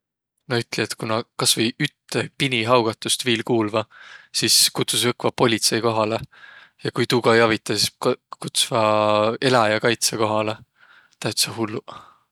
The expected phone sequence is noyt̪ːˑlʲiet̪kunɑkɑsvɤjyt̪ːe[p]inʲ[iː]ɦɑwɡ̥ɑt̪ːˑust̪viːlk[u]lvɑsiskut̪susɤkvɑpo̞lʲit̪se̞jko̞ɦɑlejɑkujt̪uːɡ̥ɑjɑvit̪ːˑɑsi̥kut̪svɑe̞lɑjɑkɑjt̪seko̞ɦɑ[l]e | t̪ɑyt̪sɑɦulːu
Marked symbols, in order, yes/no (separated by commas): yes, no, no, yes